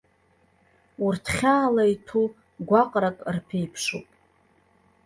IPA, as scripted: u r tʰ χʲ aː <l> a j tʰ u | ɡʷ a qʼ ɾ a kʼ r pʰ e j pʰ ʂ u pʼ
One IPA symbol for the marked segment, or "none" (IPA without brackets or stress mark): l